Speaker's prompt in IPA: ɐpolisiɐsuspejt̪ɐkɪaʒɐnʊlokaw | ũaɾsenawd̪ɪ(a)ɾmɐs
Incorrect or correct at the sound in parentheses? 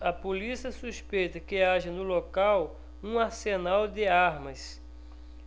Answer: correct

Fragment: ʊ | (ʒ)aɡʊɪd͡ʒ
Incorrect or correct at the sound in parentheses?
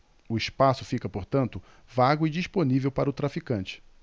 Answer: incorrect: v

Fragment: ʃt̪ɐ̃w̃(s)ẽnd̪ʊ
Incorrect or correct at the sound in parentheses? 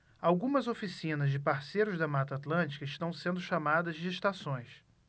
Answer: correct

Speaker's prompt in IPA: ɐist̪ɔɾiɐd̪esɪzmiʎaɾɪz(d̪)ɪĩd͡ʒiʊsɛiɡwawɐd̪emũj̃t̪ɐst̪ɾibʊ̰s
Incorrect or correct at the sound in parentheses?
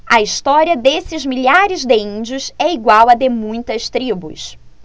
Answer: correct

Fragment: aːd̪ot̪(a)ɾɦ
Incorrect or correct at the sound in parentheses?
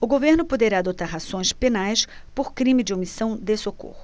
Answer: correct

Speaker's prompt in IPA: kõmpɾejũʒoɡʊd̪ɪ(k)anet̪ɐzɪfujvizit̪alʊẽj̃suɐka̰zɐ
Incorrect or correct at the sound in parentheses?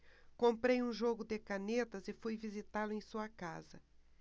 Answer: correct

